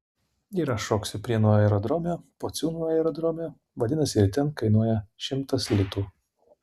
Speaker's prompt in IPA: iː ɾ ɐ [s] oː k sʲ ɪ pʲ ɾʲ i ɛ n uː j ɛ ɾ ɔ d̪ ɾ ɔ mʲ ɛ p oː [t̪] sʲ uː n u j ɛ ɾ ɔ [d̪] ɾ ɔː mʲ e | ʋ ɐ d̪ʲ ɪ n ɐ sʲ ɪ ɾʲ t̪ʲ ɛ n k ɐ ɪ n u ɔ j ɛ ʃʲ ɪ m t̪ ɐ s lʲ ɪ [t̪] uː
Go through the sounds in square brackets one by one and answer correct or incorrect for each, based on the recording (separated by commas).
incorrect, correct, correct, correct